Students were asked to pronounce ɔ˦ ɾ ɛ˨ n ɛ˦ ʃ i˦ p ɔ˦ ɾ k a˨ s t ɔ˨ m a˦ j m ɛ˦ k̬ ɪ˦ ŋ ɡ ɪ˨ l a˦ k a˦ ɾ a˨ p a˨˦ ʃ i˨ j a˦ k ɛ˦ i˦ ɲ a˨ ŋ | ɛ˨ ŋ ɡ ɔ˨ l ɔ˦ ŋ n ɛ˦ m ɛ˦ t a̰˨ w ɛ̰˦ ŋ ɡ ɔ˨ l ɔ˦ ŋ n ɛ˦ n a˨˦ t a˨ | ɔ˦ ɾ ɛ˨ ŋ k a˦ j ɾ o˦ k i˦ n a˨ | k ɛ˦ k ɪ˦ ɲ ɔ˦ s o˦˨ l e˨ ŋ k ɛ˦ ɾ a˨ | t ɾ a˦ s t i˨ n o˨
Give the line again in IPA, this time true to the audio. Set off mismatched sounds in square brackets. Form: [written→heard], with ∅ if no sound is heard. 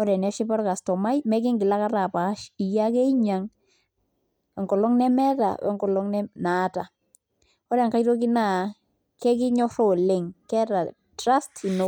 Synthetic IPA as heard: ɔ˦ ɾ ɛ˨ n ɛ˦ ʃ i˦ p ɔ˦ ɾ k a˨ s t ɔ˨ m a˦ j m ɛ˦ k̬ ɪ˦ ŋ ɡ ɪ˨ l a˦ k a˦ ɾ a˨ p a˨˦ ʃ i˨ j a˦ k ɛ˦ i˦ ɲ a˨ ŋ | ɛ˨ ŋ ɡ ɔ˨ l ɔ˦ ŋ n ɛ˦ m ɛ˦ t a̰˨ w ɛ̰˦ ŋ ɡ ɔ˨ l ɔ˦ ŋ n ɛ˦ n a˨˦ t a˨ | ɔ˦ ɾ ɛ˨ ŋ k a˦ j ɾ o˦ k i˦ n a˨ | k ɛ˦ k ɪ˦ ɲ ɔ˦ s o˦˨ l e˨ ŋ k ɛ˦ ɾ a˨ | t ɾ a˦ s t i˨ n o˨

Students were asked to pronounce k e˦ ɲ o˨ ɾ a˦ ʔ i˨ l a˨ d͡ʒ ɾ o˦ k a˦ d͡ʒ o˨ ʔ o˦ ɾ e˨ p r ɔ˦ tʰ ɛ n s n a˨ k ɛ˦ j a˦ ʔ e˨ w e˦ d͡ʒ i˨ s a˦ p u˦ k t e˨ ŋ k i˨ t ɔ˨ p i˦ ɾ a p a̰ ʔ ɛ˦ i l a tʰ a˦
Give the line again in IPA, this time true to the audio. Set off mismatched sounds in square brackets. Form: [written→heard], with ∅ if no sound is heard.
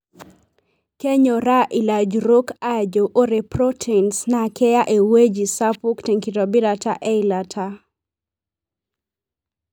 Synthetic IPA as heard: k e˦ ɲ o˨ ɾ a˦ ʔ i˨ l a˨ d͡ʒ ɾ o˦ k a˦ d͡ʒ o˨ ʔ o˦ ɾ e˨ p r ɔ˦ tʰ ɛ n s n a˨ k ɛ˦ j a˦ ʔ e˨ w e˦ d͡ʒ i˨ s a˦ p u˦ k t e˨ ŋ k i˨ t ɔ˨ [p→b] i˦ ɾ a [p→t] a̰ ʔ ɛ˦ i l a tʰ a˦

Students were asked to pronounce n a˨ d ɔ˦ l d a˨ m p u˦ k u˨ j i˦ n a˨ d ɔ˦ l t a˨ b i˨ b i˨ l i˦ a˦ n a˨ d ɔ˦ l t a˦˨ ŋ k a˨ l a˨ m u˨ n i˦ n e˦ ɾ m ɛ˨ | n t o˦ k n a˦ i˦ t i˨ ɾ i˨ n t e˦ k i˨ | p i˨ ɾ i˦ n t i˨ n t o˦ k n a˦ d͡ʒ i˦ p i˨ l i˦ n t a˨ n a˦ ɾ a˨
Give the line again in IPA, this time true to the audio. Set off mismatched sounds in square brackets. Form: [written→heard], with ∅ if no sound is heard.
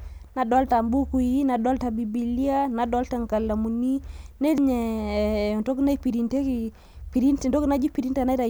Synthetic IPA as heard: n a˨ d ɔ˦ l [d→t] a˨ m [p→b] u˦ k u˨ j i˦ n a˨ d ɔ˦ l t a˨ b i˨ b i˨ l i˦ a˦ n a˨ d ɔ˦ l t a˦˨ ŋ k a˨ l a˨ m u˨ n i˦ n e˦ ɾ [m→ɲ] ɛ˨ | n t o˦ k n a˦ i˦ [t→p] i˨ ɾ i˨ n t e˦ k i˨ | p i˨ ɾ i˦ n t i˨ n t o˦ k n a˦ d͡ʒ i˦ p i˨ [l→ɾ] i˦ n t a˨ n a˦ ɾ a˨

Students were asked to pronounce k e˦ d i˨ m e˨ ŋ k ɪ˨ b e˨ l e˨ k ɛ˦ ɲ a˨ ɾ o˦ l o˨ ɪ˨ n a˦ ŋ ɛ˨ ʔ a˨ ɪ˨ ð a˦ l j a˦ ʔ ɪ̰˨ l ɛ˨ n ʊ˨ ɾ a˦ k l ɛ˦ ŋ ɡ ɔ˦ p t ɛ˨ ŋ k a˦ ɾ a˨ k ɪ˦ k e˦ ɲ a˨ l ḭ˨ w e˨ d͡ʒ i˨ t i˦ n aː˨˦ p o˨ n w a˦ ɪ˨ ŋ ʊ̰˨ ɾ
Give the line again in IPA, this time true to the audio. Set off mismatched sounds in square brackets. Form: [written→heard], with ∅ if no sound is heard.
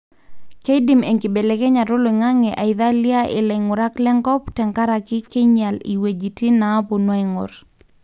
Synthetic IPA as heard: k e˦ d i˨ m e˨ ŋ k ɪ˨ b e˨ l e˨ k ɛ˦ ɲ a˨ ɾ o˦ l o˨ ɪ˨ [n→ŋ] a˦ ŋ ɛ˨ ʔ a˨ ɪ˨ ð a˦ l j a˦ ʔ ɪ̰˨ l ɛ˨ [n→ŋ] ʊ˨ ɾ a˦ k l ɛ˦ ŋ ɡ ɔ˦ p t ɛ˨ ŋ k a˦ ɾ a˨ k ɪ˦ k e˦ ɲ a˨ l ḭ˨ w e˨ d͡ʒ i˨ t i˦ n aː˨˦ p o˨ n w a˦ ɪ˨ ŋ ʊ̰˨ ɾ

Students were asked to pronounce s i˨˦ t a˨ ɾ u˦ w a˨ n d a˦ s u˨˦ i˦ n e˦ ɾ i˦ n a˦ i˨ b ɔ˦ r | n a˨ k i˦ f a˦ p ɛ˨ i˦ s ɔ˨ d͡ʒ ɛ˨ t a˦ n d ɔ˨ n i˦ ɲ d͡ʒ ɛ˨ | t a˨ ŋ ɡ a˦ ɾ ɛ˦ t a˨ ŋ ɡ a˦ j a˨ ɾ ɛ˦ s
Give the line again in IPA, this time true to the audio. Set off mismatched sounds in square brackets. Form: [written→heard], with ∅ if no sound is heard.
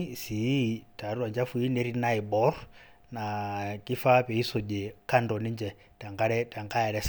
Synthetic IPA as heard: s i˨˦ t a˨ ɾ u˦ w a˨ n [d→d͡ʒ] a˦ [s→f] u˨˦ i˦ n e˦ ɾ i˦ n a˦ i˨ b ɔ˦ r | n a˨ k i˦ f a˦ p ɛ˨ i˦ s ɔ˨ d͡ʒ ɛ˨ [t→k] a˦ n d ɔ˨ n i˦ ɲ d͡ʒ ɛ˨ | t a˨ ŋ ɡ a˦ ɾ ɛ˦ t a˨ ŋ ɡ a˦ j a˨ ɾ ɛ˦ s

